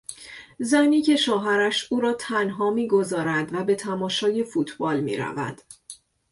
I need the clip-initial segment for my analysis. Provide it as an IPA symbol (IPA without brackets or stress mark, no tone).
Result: z